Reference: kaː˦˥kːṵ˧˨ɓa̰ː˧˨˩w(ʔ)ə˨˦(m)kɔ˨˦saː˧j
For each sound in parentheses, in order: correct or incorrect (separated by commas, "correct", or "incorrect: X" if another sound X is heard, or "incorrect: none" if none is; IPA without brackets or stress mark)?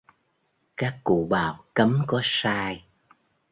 incorrect: k, correct